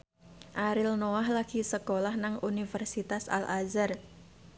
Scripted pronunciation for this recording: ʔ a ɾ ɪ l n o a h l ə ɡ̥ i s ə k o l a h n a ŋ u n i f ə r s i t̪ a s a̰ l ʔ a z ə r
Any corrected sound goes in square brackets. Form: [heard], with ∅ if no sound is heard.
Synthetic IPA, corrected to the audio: ʔ a ɾ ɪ l n o a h l [a] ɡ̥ i s ə k o l a h n a ŋ u n i f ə r s i t̪ a s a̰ l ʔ a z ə r